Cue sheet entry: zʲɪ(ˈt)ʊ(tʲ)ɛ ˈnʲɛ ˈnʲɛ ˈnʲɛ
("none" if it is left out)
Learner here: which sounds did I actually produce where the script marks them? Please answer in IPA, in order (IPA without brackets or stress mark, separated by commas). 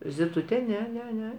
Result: t, tʲ